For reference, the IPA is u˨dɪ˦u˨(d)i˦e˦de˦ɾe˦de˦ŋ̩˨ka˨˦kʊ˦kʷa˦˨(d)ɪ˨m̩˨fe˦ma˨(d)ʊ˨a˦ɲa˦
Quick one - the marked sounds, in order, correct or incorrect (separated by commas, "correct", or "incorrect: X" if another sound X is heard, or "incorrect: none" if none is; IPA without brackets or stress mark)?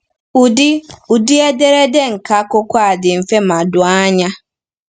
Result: correct, correct, correct